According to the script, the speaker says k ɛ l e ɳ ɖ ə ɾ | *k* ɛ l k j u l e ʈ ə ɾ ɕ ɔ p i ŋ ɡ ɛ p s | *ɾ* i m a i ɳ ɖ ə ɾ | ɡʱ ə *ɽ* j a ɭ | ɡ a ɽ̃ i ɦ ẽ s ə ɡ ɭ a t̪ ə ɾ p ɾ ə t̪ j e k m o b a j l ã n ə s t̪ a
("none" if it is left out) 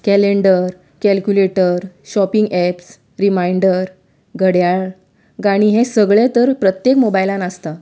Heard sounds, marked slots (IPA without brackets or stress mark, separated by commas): k, ɾ, ɽ